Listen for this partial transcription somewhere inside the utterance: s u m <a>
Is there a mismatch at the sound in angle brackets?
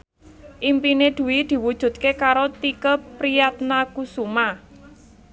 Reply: no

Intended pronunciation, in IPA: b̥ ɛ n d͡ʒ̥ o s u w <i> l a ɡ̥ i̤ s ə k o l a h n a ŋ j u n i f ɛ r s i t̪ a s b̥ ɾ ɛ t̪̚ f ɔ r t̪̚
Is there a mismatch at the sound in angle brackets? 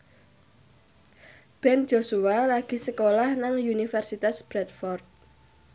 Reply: yes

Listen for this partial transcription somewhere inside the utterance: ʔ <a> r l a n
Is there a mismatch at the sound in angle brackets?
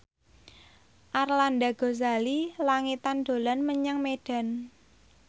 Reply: no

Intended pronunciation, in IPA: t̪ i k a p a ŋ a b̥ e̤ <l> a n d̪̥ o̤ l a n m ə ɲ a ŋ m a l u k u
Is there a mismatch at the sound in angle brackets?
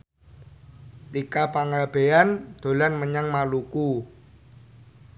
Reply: yes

